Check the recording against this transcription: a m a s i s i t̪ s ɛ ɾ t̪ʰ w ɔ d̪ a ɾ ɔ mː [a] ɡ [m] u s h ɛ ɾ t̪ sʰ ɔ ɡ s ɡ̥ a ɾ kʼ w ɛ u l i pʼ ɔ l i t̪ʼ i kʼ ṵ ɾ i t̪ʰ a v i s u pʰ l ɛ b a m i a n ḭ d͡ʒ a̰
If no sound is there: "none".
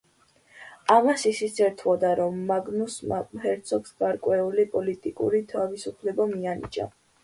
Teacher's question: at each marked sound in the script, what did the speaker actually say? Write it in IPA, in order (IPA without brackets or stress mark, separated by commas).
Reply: a, n